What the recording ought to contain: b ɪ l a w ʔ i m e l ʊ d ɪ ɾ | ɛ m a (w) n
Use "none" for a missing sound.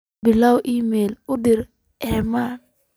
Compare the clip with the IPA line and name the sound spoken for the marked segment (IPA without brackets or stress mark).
none